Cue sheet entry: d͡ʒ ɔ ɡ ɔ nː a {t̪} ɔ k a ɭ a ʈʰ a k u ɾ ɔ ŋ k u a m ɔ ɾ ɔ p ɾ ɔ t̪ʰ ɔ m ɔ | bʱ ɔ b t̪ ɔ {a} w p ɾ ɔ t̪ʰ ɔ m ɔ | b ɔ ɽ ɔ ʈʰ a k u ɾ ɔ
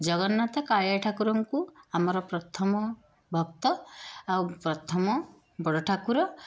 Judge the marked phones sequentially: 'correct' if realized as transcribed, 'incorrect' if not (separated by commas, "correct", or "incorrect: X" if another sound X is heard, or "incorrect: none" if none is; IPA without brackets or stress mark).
correct, correct